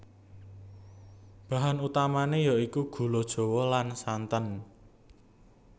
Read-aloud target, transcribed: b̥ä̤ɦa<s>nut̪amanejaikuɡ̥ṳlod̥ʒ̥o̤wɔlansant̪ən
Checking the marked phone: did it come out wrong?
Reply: yes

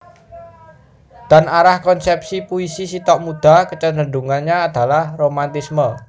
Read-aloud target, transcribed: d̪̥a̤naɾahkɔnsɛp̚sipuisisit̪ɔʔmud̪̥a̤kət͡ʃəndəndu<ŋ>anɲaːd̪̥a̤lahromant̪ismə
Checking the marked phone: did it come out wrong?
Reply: no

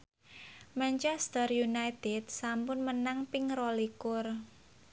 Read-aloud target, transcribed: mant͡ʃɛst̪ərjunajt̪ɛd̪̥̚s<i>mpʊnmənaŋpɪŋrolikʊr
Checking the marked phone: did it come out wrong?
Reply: yes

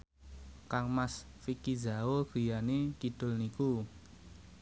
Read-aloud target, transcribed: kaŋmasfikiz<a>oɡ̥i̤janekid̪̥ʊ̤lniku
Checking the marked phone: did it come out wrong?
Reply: no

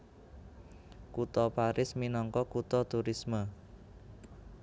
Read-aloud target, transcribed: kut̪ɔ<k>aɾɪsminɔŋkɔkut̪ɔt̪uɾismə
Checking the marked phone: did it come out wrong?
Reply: yes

